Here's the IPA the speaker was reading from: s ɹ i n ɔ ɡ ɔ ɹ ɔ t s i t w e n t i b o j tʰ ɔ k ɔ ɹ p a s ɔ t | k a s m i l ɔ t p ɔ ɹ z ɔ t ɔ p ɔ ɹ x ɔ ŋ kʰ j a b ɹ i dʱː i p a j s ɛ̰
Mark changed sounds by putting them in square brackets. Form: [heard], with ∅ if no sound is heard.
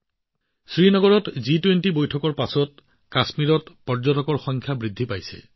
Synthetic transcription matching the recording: s ɹ i n ɔ ɡ ɔ ɹ ɔ t [z] i t w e n t i b o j tʰ ɔ k ɔ ɹ p a s ɔ t | k a s m i [ɹ] ɔ t p ɔ ɹ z ɔ t ɔ [k] ɔ ɹ x ɔ ŋ kʰ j a b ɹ i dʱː i p a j s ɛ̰